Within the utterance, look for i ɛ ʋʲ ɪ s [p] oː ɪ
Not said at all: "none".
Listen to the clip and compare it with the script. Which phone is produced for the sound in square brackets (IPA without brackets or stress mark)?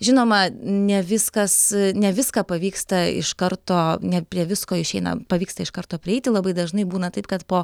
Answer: k